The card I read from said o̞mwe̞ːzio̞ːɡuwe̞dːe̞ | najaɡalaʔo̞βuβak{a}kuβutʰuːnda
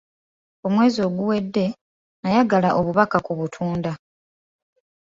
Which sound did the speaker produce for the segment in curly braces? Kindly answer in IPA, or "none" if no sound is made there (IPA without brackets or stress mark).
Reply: a